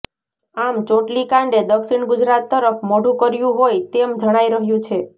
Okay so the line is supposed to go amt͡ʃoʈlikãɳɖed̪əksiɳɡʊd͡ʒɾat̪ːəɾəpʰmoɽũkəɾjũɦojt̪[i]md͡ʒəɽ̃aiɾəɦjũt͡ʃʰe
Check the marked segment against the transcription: incorrect: e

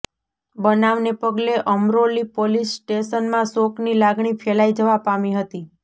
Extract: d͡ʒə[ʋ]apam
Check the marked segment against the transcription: correct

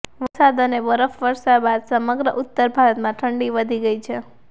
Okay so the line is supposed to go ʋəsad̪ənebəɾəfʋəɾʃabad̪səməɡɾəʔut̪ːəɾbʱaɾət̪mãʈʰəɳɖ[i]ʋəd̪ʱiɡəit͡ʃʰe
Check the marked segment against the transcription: correct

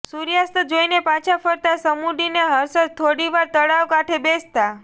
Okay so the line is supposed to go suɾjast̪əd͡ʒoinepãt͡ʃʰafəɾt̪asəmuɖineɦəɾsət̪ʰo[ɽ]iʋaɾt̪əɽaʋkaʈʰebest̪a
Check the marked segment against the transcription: correct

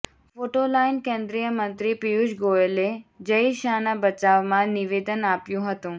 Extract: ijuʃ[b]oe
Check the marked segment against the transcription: incorrect: ɡ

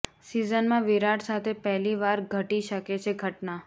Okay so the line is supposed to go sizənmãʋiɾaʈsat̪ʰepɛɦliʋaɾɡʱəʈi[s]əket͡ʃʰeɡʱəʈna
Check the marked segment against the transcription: incorrect: ʃ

